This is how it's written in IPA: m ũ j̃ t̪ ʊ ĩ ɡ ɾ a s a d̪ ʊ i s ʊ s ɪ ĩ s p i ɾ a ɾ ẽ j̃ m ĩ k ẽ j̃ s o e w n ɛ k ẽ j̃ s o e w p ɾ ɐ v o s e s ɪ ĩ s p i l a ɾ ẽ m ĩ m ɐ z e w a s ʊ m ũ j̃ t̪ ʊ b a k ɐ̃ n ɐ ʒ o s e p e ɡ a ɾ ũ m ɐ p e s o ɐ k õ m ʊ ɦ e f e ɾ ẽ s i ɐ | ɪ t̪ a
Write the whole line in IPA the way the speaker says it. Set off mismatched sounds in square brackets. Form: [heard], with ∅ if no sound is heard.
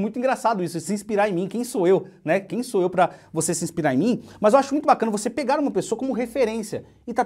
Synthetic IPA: m ũ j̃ t̪ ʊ ĩ ɡ ɾ a s a d̪ ʊ i s ʊ s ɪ ĩ s p i ɾ a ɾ ẽ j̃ m ĩ k ẽ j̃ s o e w n ɛ k ẽ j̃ s o e w p ɾ ɐ v o s e s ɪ ĩ s p i [ɾ] a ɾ ẽ m ĩ m ɐ z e w a [ʃ] ʊ m ũ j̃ t̪ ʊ b a k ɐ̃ n ɐ [v] o s e p e ɡ a ɾ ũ m ɐ p e s o ɐ k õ m ʊ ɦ e f e ɾ ẽ s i ɐ | ɪ t̪ a